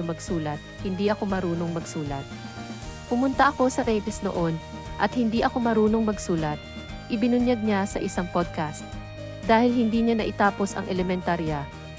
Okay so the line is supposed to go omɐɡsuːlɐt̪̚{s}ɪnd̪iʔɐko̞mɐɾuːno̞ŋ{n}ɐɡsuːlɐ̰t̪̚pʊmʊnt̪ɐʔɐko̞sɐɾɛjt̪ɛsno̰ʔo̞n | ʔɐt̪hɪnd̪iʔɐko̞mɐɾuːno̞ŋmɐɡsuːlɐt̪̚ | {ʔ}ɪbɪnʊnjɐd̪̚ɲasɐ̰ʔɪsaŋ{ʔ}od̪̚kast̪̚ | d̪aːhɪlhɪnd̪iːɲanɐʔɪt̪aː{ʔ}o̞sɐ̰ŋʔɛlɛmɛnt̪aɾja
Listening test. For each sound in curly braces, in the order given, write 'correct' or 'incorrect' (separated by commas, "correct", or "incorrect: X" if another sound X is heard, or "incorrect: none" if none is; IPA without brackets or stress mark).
incorrect: h, incorrect: m, correct, incorrect: p, incorrect: p